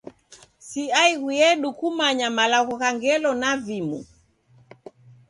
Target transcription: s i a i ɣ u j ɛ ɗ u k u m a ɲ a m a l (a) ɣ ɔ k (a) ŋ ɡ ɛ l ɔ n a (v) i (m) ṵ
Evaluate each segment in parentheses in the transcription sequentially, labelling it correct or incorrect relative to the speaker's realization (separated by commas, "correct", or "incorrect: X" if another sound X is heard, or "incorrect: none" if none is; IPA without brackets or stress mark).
correct, correct, correct, correct